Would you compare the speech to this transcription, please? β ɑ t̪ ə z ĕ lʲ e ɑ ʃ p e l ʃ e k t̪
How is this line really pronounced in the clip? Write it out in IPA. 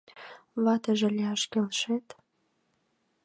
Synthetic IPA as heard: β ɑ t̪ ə ʒ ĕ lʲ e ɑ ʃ k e l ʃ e t̪